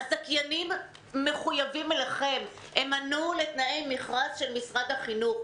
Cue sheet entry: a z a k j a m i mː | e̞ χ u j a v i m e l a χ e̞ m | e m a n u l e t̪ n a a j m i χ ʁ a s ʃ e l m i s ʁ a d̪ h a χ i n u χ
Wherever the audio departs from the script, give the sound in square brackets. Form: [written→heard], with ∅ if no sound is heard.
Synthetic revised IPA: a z a k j a [m→n] i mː | e̞ χ u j a v i m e l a χ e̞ m | e m a n u l e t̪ n a [a→e] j m i χ ʁ a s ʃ e l m i s ʁ a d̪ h a χ i n u χ